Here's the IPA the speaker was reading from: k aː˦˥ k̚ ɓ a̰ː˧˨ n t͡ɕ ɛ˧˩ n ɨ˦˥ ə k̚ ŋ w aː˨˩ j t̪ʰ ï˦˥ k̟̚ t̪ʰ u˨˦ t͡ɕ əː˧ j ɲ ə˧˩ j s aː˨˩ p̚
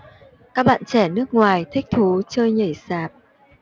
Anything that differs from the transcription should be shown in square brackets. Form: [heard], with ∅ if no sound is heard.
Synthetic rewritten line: k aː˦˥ k̚ ɓ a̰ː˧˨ n t͡ɕ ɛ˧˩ n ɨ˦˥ ə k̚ ŋ w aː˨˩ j t̪ʰ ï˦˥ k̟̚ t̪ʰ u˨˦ t͡ɕ əː˧ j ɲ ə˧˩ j s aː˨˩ p̚